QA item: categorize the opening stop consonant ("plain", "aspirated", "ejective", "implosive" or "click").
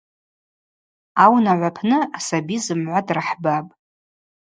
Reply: aspirated